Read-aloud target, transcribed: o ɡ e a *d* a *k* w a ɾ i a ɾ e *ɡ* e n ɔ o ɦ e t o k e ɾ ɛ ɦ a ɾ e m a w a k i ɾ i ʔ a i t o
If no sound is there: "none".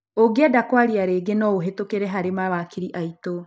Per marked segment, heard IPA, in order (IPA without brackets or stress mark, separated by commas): d, k, ɡ